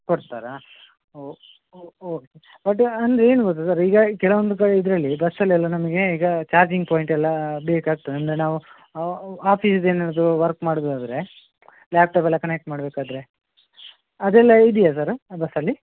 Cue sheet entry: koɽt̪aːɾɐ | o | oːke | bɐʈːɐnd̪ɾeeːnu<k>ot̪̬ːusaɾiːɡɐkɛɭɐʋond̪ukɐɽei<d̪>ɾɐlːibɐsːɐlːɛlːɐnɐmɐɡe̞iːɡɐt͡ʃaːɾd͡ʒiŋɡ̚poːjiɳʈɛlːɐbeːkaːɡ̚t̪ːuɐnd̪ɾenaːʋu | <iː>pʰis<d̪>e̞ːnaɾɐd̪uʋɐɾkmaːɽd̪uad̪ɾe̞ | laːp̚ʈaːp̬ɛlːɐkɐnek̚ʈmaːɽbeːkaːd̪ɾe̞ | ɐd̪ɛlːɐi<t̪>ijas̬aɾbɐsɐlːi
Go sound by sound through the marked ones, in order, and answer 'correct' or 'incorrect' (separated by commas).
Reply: incorrect, correct, incorrect, correct, incorrect